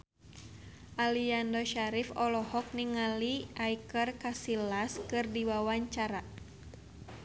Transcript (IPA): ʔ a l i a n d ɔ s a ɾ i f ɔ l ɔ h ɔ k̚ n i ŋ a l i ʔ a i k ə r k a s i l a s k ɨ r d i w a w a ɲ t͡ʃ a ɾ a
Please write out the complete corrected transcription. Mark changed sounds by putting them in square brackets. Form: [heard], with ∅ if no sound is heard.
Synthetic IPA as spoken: ʔ a l i a n d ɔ [ʃ] a ɾ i f ɔ l ɔ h ɔ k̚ n i ŋ a l i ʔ a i k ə r k a s i l a s k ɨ r d i w a w a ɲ t͡ʃ a ɾ a